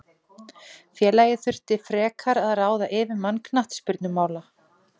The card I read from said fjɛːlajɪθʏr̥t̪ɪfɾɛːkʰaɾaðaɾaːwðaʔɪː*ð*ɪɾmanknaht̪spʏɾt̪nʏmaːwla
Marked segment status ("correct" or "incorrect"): incorrect